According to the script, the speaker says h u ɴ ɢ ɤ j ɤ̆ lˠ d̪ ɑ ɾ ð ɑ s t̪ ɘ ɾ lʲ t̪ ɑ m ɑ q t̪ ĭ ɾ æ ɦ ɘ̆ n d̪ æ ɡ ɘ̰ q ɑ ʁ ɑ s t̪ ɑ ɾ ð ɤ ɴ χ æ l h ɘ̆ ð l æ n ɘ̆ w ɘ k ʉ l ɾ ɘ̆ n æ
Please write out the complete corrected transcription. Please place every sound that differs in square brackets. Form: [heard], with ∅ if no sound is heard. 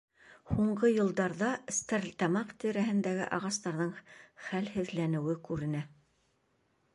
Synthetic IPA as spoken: h u ɴ ɢ ɤ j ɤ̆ lˠ d̪ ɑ ɾ ð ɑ s t̪ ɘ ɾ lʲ t̪ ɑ m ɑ q t̪ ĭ ɾ æ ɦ ɘ̆ n d̪ æ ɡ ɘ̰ [ʔ] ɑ ʁ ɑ s t̪ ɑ ɾ ð ɤ ɴ χ æ l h ɘ̆ ð l æ n ɘ̆ w ɘ k ʉ [∅] ɾ ɘ̆ n æ